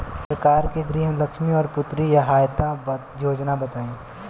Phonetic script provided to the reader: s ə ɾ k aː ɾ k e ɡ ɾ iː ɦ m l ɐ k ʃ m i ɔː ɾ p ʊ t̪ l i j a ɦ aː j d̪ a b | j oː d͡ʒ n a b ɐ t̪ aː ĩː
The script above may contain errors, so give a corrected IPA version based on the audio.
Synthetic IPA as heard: s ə ɾ k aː ɾ k e ɡ ɾ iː ɦ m l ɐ k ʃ m i ɔː ɾ p ʊ t̪ ɾ i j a ɦ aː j t̪ a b | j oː d͡ʒ n a b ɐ t̪ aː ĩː